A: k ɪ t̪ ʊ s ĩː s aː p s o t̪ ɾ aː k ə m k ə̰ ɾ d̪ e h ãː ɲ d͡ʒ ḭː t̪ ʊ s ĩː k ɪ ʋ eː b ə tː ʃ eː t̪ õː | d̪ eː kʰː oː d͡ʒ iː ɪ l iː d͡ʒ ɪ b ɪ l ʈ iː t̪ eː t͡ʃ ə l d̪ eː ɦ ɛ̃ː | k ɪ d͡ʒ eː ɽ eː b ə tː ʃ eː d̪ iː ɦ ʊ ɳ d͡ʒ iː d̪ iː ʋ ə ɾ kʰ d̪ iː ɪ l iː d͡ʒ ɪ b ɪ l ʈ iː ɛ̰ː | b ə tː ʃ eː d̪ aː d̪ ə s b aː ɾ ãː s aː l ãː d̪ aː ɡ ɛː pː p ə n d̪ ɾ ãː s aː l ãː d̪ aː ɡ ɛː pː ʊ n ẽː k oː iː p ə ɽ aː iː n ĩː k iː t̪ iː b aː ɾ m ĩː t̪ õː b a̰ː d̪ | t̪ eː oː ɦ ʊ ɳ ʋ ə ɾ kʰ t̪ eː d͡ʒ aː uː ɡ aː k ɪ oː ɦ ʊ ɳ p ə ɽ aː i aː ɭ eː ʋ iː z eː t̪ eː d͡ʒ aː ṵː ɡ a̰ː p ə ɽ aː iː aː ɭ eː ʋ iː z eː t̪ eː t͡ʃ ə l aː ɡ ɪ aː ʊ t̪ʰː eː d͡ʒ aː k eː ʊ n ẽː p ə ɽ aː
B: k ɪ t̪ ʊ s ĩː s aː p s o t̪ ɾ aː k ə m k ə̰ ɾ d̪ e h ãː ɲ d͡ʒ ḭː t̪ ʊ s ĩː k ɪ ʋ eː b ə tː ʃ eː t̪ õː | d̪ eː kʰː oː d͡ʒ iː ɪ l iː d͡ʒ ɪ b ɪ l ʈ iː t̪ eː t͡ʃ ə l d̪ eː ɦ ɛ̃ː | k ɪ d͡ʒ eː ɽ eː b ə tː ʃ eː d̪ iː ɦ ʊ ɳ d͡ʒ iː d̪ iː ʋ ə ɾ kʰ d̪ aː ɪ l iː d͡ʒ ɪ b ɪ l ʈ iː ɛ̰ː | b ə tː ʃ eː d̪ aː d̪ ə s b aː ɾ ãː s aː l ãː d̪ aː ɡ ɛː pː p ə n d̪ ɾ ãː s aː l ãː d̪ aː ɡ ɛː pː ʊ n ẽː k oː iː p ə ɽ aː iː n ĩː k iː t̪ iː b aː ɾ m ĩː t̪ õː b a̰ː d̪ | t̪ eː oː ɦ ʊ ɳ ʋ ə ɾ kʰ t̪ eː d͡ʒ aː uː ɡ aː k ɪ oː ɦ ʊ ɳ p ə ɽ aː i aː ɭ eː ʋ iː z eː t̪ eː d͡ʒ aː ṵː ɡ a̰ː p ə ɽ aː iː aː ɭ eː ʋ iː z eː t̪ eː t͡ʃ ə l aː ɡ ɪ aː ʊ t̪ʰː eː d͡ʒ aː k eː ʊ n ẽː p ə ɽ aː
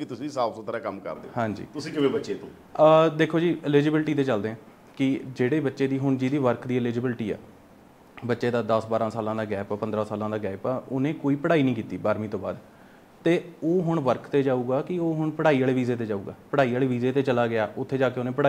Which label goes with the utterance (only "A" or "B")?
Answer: A